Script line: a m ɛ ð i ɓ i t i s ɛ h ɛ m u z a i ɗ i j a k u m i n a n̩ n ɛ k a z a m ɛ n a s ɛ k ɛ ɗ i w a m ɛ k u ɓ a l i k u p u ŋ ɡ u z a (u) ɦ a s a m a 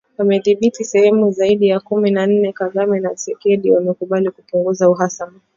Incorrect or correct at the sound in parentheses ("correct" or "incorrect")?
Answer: correct